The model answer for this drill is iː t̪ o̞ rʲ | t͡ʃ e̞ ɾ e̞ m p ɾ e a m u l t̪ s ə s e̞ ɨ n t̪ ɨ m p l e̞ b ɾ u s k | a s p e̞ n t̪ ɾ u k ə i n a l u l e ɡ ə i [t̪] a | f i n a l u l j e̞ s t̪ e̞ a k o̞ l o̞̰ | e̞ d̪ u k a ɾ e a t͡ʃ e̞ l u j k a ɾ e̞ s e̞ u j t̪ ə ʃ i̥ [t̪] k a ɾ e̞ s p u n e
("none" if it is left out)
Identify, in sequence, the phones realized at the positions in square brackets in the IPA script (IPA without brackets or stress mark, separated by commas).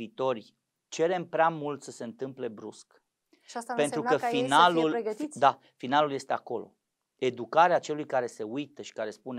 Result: d̪, none